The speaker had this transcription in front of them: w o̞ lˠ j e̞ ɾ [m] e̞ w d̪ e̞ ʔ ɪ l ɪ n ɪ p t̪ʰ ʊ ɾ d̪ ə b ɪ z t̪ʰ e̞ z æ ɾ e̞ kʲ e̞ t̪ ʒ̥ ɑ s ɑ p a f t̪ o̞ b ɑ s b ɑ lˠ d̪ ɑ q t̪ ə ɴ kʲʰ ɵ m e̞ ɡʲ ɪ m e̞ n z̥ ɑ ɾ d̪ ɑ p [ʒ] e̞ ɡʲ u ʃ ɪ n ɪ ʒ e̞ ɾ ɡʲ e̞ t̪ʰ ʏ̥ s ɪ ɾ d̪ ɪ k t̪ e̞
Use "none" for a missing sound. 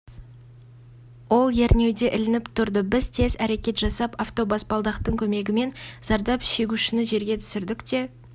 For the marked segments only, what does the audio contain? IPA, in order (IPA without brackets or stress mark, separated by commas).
n, ʃ